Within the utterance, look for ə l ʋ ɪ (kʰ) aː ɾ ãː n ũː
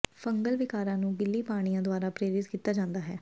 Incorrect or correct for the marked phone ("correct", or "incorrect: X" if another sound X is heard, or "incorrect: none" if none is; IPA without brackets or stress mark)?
incorrect: k